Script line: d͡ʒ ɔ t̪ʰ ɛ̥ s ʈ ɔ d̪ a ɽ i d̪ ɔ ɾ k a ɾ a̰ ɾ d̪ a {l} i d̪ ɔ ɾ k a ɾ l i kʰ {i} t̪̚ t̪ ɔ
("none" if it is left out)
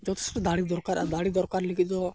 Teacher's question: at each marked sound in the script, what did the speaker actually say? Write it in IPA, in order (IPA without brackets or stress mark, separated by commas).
ɽ, i